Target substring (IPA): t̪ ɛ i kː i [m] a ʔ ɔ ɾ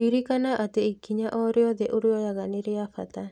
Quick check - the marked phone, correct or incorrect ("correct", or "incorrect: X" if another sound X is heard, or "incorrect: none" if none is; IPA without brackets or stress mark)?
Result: incorrect: ɲ